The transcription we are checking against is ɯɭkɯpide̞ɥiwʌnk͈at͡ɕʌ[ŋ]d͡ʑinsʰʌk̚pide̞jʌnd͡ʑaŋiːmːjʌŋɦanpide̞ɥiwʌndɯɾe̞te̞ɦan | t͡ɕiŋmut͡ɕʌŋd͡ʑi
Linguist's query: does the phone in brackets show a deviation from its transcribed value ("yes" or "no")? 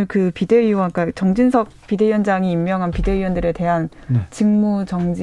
no